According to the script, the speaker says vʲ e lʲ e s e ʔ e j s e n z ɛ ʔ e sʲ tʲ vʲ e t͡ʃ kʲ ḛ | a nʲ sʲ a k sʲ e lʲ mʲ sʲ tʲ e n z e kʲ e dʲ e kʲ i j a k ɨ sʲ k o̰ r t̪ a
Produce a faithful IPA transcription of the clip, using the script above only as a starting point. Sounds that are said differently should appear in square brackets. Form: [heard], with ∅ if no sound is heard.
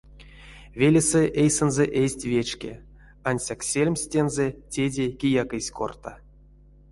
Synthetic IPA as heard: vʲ e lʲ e s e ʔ e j s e n z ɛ ʔ e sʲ tʲ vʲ e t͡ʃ kʲ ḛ | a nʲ sʲ a k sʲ e lʲ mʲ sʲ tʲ e n z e [tʲ] e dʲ e kʲ i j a k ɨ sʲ k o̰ r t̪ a